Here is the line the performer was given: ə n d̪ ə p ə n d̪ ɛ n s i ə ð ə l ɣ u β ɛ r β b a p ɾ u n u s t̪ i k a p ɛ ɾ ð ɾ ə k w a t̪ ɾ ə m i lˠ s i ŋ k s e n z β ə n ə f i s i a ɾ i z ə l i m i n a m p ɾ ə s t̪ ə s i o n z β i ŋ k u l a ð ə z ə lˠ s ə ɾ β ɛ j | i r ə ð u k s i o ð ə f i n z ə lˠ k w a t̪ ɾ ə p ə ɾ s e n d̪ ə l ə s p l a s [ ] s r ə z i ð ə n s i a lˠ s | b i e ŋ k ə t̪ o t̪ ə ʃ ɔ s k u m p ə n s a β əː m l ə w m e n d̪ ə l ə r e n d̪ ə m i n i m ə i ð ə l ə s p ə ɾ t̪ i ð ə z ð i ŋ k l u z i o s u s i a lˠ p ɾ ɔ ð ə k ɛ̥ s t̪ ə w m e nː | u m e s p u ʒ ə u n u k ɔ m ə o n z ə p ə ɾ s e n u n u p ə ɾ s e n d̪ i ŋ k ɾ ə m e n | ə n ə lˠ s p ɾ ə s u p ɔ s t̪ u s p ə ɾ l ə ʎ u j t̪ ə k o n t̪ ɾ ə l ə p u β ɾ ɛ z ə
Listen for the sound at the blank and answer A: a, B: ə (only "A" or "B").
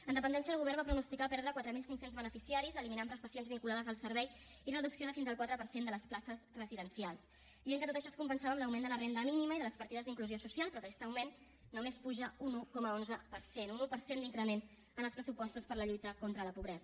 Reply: B